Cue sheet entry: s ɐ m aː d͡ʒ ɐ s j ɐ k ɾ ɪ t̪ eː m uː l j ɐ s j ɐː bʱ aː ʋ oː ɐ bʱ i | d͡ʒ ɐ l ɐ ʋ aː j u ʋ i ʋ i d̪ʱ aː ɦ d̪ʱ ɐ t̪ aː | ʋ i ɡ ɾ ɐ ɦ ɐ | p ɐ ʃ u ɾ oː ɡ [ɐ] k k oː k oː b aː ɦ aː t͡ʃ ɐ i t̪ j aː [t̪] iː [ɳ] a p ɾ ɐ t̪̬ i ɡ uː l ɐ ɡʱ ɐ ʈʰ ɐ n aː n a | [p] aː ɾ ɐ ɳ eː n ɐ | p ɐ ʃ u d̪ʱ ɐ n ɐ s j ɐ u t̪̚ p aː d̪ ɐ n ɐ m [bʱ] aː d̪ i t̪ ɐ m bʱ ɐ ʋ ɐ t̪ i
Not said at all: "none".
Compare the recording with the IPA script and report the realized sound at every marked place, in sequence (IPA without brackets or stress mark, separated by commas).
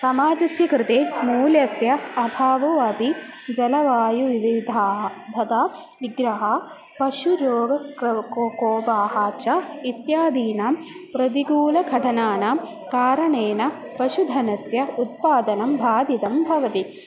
ɐ, d̪, n, k, bʱ